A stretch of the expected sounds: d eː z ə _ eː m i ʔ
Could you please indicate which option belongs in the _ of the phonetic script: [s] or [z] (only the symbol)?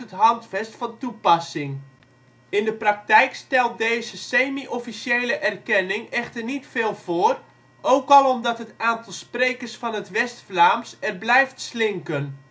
s